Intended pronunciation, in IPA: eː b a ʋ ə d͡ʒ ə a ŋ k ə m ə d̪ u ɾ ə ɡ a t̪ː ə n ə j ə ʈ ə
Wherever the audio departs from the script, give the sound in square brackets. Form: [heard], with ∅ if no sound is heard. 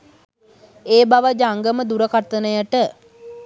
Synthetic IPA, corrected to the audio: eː b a ʋ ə d͡ʒ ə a ŋ [ɡ] ə m ə d̪ u ɾ ə [k] a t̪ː ə n ə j ə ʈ ə